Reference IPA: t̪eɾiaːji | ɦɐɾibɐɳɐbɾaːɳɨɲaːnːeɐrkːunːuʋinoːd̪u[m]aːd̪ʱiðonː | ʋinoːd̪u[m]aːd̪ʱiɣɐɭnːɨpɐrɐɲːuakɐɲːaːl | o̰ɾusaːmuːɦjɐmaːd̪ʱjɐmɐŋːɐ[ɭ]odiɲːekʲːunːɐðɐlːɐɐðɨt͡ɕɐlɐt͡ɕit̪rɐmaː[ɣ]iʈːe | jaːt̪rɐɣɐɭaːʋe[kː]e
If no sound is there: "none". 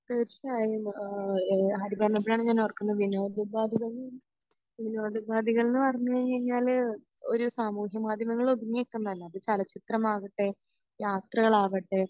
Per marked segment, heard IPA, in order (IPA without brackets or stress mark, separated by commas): b, b, ɭ, ɣ, ʈː